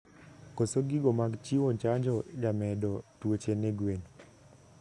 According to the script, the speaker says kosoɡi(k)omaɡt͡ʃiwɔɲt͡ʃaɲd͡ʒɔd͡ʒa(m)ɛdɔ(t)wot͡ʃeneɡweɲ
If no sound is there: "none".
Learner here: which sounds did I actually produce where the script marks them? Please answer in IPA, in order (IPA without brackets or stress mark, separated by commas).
ɡ, m, t